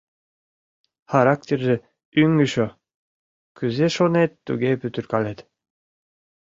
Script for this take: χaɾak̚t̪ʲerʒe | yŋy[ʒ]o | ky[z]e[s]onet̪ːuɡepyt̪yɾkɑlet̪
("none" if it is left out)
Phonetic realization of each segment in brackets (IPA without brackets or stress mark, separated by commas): ʃ, z, ʃ